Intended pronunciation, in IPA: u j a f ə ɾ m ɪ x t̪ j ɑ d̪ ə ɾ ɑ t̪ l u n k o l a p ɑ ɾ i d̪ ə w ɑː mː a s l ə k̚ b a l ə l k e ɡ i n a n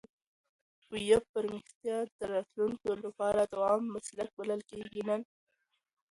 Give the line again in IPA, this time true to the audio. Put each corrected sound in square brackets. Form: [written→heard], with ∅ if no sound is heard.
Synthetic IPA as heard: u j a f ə ɾ m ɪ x t̪ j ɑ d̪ ə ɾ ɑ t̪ l u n k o l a p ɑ ɾ [i→a] d̪ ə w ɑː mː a s l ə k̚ b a l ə l k e ɡ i n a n

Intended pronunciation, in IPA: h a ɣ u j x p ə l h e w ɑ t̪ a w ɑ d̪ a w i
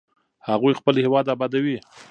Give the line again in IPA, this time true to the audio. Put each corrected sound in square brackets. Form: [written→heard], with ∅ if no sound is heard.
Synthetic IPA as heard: h a ɣ u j x p ə l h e w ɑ [t̪→d̪] a [w→b] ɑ d̪ a w i

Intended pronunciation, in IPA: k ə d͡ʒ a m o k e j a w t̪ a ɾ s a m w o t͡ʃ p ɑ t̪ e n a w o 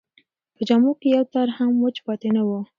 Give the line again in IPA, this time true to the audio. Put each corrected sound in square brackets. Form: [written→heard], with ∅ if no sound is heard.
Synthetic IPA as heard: [k→p] ə d͡ʒ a m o k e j a w t̪ a ɾ [s→h] a m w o t͡ʃ p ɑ t̪ e n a w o

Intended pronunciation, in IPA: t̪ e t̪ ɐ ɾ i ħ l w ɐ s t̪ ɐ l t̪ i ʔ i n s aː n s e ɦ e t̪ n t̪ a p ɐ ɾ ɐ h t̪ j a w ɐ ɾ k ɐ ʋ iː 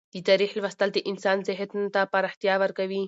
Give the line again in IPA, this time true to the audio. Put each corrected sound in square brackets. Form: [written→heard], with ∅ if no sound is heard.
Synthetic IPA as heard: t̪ [e→i] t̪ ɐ ɾ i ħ l [w→ʋ] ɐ s t̪ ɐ l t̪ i ʔ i n s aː n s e ɦ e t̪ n t̪ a p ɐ ɾ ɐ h t̪ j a [w→ʋ] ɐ ɾ k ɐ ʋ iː

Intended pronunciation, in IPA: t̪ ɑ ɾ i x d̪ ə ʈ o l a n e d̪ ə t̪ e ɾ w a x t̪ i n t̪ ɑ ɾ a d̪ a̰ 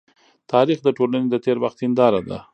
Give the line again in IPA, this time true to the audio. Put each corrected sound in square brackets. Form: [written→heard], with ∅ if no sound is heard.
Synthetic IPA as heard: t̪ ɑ ɾ i x d̪ ə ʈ o l a n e d̪ ə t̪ e ɾ w a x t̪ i n [t̪→d̪] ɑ ɾ a d̪ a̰

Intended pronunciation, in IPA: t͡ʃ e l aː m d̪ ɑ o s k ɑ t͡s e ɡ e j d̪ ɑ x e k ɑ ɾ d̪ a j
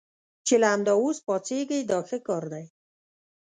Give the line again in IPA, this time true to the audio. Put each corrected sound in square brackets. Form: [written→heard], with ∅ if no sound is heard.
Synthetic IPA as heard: t͡ʃ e l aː m d̪ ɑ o s [k→p] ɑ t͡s e ɡ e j d̪ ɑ x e k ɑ ɾ d̪ a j

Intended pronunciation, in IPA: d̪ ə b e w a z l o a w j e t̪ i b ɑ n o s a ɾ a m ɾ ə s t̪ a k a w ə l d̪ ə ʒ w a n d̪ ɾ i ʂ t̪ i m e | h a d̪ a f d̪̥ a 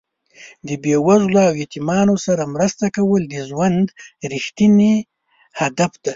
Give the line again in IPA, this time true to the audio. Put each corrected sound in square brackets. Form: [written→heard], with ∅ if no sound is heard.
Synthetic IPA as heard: d̪ ə b e w a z l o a w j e t̪ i [b→m] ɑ n o s a ɾ a m ɾ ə s t̪ a k a w ə l d̪ ə ʒ w a n d̪ ɾ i [ʂ→x] t̪ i [m→n] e | h a d̪ a f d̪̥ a

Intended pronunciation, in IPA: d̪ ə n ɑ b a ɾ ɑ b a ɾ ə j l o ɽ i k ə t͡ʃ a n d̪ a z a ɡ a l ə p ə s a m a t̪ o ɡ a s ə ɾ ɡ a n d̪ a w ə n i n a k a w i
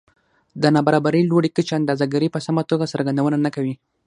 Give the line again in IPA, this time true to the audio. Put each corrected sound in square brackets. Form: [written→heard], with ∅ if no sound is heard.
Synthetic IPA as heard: d̪ ə n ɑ b a ɾ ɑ b a ɾ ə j l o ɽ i k ə t͡ʃ a n d̪ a z a ɡ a [l→ɾ] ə p ə s a m a t̪ o ɡ a s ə ɾ ɡ a n d̪ a w ə n [i→a] n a k a w i

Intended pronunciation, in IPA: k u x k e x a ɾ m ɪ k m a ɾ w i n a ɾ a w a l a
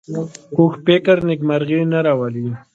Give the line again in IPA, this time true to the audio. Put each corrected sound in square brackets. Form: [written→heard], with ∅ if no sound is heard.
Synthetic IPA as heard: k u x [k→p] e [x→k] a ɾ [m→n] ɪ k m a ɾ [w→ɣ] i n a ɾ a w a l [a→i]

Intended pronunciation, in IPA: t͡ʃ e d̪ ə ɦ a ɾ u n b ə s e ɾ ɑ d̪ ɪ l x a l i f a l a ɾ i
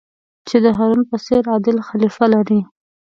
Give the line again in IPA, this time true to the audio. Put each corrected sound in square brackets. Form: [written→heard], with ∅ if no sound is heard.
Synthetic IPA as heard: t͡ʃ e d̪ ə ɦ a ɾ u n [b→p] ə s e ɾ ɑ d̪ ɪ l x a l i f a l a ɾ i

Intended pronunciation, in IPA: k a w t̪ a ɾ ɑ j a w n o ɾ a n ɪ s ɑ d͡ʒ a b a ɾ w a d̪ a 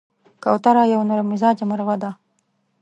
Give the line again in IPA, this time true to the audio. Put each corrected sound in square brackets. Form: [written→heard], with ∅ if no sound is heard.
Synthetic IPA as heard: k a w t̪ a ɾ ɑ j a w n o ɾ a [n→m] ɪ [s→z] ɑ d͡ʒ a [b→m] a ɾ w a d̪ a

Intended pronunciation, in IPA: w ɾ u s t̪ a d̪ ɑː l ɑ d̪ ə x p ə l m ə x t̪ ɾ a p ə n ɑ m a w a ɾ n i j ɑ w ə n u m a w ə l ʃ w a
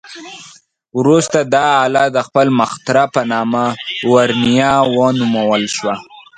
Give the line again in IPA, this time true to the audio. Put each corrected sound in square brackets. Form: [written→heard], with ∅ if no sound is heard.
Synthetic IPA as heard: w ɾ u s t̪ a d̪ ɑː l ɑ d̪ ə x p ə l m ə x t̪ ɾ a p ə n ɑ m a w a ɾ n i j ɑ w ə n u m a w ə l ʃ w a

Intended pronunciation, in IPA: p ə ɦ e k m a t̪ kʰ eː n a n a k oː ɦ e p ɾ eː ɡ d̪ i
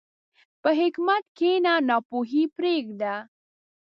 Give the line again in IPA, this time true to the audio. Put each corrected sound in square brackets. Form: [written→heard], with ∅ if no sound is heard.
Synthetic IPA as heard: p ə ɦ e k m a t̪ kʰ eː n a n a [k→p] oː ɦ [e→i] p ɾ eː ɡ d̪ [i→a]

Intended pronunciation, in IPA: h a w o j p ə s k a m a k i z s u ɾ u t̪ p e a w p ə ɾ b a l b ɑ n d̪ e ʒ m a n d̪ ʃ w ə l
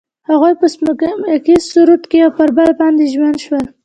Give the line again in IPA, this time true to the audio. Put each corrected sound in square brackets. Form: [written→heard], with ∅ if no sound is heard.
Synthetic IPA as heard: h a [w→ɣ] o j p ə s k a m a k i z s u ɾ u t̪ [p→k] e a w p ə ɾ b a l b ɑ n d̪ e ʒ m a n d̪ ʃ w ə l

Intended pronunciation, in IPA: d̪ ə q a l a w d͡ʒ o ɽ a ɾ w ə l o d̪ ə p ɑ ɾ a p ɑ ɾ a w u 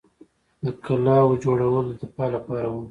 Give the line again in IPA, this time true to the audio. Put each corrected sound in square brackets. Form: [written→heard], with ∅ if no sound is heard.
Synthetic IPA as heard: d̪ ə [q→k] a l [a→ɑ] w d͡ʒ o ɽ a [ɾ→∅] w ə l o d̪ ə p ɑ [ɾ→l] a p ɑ ɾ a w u

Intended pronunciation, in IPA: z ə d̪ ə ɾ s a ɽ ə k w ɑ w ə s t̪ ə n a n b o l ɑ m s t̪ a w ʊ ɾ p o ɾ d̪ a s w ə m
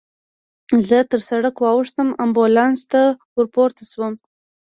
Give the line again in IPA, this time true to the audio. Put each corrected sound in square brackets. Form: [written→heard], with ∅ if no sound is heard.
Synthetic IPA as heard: z ə [d̪→t̪] ə ɾ s a ɽ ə k w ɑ w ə [s→ʂ] t̪ ə [n→m] a [n→m] b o l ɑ [m→n] s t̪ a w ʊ ɾ p o ɾ [d̪→t̪] a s w ə m

